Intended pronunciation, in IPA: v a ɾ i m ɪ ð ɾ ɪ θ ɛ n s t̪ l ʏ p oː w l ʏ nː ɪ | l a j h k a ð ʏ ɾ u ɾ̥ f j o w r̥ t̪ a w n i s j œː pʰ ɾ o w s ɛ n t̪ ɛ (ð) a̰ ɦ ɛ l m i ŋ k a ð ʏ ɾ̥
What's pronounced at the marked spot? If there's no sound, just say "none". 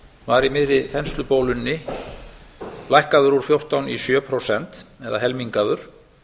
ð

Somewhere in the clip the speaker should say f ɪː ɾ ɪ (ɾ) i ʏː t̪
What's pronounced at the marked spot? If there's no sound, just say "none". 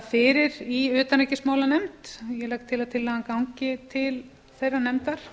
ɾ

